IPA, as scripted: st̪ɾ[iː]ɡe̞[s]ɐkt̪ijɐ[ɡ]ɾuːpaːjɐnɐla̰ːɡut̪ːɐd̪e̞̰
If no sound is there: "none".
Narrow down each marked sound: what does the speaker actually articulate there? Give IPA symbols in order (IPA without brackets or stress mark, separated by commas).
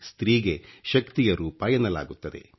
iː, ʃ, none